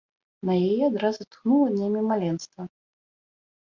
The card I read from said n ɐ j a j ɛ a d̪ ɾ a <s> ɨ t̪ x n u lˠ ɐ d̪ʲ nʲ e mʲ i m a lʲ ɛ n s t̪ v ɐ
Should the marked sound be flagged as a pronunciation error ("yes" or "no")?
yes